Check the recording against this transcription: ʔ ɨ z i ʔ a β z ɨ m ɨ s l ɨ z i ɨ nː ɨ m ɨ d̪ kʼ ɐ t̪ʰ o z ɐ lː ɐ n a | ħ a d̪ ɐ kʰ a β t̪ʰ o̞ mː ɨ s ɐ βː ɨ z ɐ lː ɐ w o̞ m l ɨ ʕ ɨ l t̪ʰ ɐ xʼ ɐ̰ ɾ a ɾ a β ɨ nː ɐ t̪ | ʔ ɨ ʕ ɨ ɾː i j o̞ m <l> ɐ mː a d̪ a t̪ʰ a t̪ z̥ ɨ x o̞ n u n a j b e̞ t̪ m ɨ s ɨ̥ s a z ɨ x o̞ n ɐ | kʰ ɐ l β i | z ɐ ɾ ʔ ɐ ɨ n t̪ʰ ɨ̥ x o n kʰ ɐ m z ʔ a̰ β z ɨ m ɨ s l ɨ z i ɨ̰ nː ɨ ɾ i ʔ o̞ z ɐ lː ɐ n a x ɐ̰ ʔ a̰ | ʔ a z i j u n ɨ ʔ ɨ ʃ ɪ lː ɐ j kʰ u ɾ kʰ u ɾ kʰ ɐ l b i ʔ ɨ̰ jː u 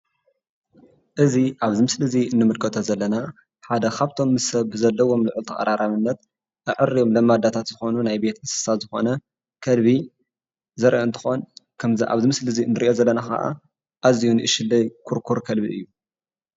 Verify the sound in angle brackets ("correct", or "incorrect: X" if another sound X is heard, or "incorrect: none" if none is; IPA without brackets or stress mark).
correct